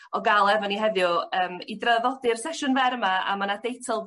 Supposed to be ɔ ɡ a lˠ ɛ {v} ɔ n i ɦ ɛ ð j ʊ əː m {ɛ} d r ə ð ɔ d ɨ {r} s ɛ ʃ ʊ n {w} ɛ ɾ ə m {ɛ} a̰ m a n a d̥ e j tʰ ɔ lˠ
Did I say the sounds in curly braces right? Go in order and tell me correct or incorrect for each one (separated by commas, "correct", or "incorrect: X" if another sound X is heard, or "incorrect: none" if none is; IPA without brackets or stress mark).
correct, incorrect: i, correct, incorrect: v, incorrect: a